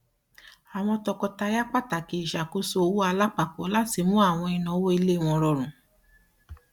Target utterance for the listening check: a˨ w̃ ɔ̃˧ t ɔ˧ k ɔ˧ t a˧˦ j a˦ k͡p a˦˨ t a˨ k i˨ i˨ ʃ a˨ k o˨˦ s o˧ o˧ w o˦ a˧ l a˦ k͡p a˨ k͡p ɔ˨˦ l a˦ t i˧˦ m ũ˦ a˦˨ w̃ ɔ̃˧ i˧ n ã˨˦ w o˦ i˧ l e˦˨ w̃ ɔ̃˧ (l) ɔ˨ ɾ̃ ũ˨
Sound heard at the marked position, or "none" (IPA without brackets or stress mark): ɾ